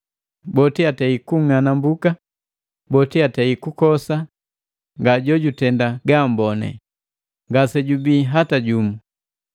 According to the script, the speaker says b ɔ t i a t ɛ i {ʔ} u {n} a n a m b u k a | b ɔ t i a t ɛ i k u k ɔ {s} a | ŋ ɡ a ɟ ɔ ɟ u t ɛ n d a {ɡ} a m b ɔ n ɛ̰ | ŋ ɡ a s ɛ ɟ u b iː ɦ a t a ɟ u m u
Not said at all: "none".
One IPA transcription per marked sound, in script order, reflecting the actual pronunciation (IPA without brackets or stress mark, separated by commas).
k, ŋ, s, ɡ